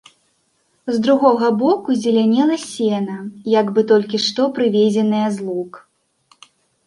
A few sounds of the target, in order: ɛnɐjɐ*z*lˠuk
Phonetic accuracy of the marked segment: correct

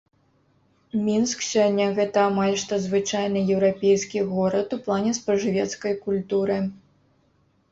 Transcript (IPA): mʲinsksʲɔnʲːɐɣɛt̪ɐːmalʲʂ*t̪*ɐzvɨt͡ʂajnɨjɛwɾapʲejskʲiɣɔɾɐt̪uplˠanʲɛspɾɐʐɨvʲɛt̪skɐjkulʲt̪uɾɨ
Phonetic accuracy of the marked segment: correct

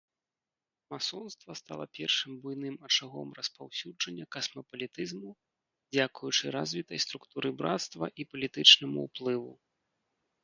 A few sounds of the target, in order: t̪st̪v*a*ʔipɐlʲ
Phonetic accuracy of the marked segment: incorrect: ɐ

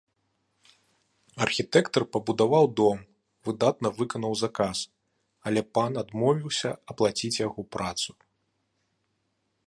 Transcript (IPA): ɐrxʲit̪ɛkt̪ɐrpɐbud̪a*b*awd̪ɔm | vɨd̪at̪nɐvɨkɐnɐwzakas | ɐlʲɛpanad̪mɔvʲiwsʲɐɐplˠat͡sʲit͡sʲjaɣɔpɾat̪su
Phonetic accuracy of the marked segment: incorrect: v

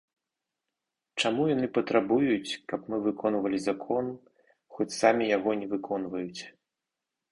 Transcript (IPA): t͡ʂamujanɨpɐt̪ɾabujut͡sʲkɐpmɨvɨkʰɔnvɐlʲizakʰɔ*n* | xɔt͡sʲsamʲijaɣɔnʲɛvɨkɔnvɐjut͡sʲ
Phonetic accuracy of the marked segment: correct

